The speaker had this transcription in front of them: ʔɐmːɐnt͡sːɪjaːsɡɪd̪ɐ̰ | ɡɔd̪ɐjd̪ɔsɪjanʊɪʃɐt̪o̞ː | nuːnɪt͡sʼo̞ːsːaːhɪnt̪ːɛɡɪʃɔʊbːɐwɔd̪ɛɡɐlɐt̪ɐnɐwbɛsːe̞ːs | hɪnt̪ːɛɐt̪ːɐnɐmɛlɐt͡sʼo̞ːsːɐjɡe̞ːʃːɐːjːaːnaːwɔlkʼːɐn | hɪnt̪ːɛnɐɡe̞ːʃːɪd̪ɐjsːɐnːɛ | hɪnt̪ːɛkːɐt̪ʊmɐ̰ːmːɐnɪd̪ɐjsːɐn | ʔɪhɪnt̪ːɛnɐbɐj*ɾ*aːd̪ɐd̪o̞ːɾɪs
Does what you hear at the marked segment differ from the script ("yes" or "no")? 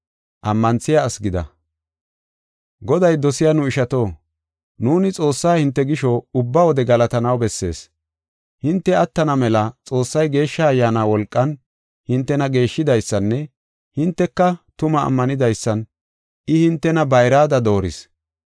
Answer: no